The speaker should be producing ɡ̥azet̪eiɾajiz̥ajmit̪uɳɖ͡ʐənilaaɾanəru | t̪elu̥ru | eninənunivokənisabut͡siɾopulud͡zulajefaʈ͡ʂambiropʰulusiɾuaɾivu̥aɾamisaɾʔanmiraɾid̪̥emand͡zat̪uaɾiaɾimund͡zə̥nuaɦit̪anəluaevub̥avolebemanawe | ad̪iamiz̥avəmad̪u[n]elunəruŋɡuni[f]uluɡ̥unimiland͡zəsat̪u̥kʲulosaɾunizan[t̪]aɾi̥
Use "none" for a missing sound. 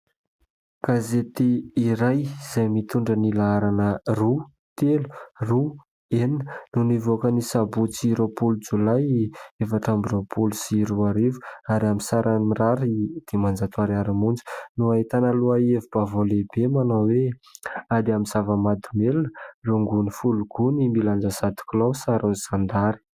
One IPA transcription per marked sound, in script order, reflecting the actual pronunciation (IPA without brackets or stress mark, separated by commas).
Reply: m, f, d̪